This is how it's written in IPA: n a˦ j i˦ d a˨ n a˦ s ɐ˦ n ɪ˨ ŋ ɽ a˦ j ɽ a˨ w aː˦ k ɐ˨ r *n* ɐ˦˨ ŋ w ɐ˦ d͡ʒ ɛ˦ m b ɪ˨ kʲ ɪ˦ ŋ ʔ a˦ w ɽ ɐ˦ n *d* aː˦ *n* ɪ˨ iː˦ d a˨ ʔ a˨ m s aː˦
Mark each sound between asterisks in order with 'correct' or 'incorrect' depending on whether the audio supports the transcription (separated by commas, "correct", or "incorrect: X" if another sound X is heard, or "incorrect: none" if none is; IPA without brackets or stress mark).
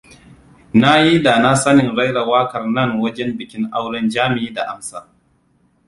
correct, incorrect: d͡ʒ, incorrect: m